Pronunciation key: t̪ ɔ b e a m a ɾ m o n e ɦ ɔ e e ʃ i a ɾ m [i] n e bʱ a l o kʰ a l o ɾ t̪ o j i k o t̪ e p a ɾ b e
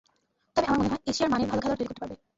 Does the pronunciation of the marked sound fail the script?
yes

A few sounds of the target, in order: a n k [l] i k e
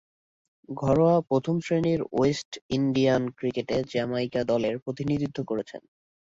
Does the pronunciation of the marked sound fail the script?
yes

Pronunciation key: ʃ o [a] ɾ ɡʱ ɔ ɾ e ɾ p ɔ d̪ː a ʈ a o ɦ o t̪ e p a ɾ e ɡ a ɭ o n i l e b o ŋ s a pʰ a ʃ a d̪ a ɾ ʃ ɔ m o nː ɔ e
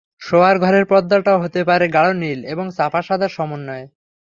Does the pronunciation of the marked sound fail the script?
no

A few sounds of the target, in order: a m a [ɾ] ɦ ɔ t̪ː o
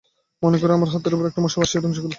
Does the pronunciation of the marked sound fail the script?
no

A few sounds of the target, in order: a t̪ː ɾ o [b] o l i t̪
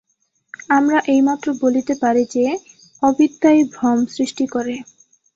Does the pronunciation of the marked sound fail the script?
no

